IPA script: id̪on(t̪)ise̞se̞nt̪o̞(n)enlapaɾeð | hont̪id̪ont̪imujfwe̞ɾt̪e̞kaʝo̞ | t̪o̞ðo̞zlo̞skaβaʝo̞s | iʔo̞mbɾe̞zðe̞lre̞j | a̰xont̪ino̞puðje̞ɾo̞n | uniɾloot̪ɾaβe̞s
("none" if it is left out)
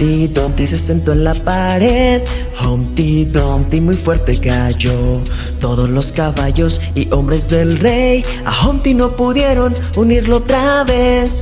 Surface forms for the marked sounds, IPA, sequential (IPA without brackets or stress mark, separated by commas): t̪, none